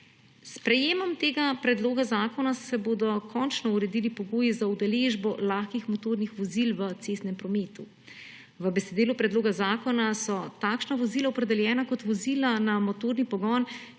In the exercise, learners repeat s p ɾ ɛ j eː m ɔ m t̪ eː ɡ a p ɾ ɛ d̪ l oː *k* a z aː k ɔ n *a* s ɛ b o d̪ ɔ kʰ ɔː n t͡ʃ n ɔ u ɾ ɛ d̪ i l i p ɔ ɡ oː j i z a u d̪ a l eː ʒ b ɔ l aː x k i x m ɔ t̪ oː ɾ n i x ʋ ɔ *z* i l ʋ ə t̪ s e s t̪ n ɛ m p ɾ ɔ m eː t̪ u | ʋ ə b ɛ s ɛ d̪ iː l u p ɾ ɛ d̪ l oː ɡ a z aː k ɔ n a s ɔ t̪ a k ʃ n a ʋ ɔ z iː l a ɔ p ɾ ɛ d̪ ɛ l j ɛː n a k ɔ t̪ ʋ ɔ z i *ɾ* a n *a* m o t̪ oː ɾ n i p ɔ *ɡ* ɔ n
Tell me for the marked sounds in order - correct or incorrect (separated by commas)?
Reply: incorrect, correct, correct, incorrect, correct, correct